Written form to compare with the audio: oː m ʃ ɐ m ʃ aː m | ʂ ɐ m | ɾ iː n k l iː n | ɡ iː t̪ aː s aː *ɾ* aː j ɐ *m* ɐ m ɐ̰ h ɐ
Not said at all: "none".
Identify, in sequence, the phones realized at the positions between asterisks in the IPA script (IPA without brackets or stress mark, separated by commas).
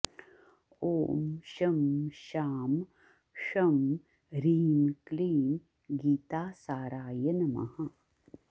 ɾ, n